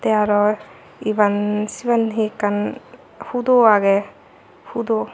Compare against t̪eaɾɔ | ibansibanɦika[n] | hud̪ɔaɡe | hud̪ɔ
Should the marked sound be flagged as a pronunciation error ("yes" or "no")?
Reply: no